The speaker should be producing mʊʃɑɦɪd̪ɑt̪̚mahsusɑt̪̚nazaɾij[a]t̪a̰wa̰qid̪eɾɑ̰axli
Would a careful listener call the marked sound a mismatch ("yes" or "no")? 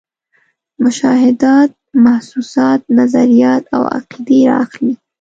yes